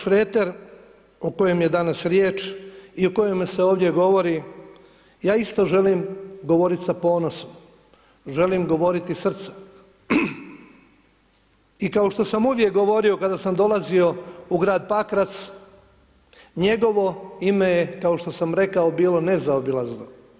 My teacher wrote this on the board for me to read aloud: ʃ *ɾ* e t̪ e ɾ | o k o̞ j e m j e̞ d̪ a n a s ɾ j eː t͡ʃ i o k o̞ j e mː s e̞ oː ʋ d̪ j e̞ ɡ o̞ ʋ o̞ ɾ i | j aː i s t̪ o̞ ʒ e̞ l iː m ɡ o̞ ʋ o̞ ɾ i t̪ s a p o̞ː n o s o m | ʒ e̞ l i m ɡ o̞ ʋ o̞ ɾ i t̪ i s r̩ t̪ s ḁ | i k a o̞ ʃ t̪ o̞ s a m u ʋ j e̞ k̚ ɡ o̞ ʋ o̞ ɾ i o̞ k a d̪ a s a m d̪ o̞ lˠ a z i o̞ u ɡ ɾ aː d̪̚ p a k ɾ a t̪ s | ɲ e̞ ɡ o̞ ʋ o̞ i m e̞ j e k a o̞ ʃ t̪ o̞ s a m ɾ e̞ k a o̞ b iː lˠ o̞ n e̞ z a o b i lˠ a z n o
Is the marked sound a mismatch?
no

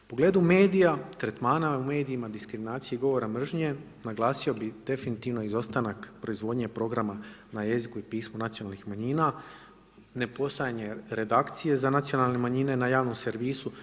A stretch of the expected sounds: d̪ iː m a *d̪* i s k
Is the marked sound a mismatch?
no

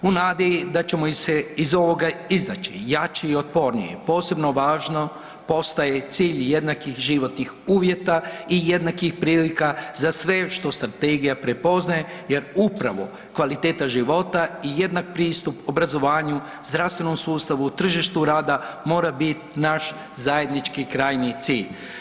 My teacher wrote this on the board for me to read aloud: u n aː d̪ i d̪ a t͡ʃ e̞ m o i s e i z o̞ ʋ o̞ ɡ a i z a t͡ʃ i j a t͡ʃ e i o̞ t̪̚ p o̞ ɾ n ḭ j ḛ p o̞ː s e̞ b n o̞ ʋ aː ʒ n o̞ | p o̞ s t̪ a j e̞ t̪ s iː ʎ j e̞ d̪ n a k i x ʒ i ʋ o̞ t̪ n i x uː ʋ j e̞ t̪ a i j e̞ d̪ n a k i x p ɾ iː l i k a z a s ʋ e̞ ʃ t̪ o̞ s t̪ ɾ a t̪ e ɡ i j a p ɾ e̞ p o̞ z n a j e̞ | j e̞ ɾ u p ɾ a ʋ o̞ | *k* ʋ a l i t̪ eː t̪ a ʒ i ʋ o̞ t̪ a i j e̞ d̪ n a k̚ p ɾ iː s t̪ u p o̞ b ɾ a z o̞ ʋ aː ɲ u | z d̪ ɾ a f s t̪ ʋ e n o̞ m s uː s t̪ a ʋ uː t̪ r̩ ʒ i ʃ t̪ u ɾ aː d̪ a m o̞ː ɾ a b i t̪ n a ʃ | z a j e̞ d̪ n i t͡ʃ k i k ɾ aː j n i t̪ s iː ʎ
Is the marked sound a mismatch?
no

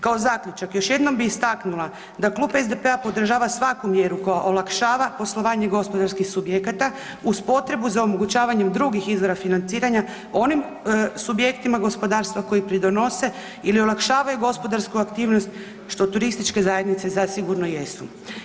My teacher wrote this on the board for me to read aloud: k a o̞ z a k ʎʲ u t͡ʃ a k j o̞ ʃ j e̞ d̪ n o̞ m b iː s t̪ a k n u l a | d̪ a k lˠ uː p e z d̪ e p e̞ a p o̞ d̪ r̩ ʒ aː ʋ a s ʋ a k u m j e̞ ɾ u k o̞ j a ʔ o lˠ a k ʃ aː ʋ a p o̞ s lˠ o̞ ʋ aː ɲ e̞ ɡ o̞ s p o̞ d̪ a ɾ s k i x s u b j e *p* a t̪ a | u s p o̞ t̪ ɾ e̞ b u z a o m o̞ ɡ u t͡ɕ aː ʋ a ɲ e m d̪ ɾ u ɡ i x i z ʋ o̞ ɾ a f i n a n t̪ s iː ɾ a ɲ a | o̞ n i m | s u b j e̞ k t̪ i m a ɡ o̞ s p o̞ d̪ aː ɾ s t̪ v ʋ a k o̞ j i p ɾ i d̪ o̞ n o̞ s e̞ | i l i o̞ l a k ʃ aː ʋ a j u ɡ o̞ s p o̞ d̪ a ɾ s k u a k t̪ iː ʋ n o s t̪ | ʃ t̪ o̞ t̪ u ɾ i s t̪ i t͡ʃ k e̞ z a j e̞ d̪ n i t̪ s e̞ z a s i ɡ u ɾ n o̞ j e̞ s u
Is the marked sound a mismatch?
yes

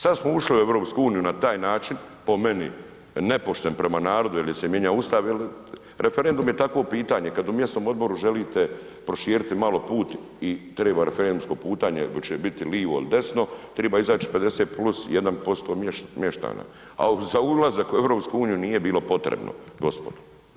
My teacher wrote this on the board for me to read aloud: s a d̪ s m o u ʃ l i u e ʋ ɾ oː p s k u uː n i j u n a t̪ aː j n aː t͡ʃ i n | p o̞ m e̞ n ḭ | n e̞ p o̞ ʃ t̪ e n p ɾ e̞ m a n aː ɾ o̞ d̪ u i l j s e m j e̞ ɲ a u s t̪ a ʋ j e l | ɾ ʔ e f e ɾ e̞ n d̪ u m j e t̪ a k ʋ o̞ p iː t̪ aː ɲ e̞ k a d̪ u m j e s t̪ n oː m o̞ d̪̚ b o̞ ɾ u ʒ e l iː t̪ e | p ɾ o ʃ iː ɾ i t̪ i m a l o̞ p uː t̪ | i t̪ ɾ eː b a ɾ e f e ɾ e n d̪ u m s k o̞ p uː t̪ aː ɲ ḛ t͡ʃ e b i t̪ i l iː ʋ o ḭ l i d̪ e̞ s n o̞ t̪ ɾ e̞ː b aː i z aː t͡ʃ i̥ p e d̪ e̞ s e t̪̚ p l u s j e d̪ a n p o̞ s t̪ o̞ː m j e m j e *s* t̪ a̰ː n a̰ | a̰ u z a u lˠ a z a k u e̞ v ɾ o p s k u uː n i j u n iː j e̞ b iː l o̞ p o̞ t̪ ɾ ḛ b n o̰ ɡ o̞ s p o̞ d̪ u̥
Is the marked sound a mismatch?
yes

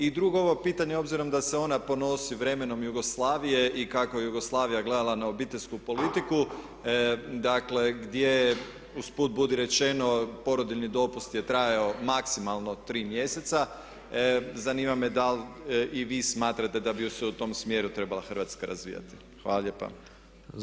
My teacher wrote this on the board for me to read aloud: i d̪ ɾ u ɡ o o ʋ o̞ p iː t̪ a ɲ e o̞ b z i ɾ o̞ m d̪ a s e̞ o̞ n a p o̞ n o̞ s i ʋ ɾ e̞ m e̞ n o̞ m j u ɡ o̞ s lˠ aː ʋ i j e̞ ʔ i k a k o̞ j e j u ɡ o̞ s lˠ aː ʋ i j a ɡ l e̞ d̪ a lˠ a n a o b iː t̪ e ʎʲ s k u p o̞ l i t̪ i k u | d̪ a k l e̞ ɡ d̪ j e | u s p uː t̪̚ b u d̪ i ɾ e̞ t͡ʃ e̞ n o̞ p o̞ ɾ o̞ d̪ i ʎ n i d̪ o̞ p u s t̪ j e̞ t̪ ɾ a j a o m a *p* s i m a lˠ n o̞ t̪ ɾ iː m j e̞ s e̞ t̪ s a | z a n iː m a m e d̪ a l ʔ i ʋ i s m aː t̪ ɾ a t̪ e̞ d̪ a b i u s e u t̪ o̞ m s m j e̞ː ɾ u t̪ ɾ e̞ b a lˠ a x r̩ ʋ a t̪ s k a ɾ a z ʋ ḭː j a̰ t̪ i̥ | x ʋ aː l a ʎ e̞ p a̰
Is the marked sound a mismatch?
yes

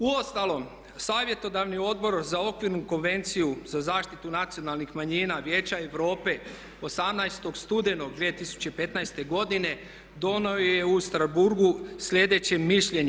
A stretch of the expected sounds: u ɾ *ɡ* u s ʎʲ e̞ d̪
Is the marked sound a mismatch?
no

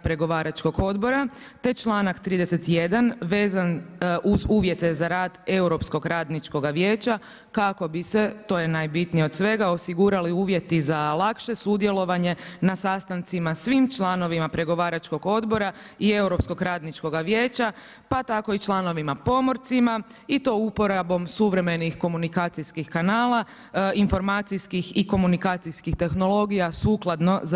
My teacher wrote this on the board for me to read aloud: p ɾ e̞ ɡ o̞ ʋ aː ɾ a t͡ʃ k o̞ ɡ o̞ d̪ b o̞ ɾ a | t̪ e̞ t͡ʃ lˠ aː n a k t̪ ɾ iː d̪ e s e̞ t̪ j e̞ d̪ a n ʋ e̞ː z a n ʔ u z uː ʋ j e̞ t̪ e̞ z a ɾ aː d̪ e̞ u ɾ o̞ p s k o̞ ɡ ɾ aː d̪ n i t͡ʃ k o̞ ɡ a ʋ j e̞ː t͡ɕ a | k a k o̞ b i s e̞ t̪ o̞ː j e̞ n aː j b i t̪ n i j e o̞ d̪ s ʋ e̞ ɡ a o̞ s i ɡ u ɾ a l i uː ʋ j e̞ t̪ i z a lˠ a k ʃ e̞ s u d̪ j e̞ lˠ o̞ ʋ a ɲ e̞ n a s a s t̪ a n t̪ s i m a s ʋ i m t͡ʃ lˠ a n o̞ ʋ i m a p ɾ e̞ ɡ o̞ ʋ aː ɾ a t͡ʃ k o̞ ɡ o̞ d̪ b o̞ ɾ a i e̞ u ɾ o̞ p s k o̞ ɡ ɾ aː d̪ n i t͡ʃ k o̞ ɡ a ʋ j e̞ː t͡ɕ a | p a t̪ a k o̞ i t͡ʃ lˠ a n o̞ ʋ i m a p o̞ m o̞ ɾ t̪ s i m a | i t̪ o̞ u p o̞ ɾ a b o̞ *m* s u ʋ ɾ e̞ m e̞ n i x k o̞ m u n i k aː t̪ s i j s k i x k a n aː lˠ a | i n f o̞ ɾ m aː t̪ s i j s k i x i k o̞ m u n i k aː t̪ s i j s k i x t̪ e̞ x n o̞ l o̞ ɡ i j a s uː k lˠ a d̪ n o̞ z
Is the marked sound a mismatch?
no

